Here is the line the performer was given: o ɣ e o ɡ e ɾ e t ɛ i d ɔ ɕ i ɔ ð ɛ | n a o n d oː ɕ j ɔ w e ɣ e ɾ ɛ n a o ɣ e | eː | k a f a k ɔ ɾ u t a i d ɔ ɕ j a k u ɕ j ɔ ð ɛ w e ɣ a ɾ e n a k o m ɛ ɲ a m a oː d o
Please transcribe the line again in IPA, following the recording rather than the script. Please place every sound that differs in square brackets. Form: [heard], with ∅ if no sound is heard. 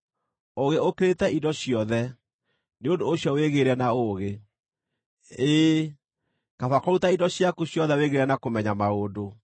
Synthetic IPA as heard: o ɣ e o [k] e ɾ e t ɛ i d ɔ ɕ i ɔ ð ɛ | n [e] o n d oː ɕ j ɔ w e ɣ e ɾ ɛ n a o ɣ e | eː | k a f a k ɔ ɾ u t a i d ɔ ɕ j a k u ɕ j ɔ ð ɛ w e ɣ [e] ɾ [ɛ] n a k o m ɛ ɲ a m a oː d o